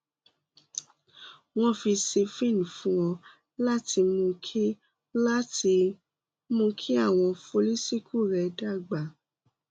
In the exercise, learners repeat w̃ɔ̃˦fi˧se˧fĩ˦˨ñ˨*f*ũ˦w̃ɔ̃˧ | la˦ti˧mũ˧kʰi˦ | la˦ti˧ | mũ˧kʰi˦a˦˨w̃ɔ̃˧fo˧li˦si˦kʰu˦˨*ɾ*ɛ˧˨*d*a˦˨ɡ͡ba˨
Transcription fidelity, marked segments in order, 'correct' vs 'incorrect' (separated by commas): correct, correct, correct